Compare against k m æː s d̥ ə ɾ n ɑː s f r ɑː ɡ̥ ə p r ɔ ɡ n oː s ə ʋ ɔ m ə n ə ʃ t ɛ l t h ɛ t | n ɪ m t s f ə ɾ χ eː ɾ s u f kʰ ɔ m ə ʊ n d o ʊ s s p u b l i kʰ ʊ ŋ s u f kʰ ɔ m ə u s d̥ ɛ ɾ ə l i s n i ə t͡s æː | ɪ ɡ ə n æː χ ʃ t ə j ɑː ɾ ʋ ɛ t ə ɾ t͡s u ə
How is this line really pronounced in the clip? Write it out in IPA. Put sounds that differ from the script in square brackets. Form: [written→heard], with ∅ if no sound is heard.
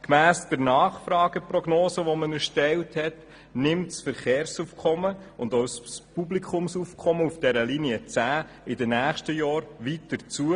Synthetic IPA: k m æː s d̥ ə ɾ n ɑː [s→χ] f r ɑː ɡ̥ ə p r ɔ ɡ n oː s ə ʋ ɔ m ə n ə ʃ t ɛ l t h ɛ t | n ɪ m t s f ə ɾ χ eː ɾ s u f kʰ ɔ m ə ʊ n d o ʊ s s p u b l i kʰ ʊ [ŋ→m] s u f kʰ ɔ m ə u [s→f] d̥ ɛ ɾ ə l i [s→∅] n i ə t͡s æː | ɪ [ɡ→d] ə n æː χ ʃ t ə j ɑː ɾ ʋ [ɛ→i] t ə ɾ t͡s u ə